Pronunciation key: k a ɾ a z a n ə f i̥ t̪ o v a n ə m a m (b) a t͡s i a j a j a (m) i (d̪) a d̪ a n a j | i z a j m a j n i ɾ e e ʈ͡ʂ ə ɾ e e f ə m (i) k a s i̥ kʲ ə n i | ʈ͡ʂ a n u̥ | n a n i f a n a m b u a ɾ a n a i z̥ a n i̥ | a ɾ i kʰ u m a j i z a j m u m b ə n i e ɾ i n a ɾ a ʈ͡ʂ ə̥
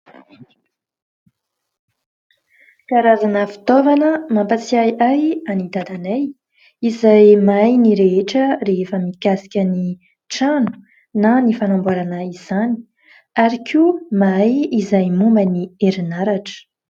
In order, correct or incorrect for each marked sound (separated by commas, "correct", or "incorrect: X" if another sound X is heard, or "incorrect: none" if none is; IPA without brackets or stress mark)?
incorrect: p, incorrect: n, correct, correct